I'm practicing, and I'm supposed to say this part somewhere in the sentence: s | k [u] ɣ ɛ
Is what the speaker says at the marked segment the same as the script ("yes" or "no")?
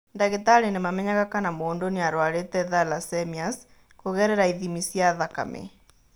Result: no